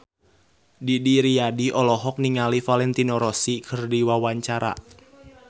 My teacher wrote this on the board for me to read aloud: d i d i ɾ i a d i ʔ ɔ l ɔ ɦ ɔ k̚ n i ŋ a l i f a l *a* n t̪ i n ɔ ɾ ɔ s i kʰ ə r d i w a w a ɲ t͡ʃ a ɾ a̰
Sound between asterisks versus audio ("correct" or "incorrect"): incorrect